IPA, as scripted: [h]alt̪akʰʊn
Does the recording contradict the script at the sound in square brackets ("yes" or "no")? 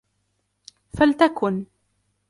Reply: yes